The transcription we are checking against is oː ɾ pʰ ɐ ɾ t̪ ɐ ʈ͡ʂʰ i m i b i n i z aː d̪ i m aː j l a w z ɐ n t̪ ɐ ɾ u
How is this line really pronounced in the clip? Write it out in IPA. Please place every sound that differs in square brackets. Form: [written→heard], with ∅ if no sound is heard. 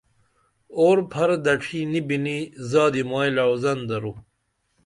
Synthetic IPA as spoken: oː ɾ pʰ ɐ ɾ [t̪→d̪] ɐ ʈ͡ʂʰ i [m→n] i b i n i z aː d̪ i m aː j l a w z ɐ n [t̪→d̪] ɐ ɾ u